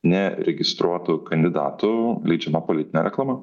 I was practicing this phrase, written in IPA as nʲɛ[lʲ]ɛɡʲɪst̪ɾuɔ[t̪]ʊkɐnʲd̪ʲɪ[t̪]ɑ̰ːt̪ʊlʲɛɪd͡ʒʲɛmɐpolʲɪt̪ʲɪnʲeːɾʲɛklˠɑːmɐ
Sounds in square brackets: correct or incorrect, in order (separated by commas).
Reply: incorrect, correct, incorrect